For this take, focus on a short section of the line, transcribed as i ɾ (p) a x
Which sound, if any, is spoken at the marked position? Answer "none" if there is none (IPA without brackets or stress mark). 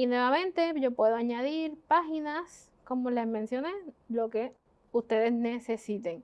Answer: p